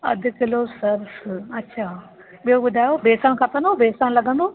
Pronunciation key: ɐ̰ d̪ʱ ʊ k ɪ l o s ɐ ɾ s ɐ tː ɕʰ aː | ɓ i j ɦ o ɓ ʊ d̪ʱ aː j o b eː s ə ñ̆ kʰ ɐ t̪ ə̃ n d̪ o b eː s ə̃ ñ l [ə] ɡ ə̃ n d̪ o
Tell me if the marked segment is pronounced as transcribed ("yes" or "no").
no